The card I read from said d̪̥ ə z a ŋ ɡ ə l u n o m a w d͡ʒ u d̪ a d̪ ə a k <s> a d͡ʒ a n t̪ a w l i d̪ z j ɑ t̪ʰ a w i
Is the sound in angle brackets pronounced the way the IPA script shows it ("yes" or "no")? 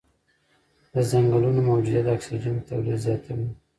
yes